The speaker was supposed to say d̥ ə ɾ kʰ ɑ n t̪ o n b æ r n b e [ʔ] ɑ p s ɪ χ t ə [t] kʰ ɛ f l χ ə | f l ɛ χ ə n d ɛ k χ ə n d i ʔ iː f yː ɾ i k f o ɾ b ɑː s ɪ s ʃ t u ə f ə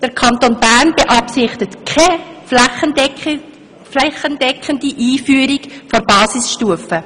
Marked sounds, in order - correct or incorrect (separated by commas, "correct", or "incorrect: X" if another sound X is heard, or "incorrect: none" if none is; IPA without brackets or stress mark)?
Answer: correct, correct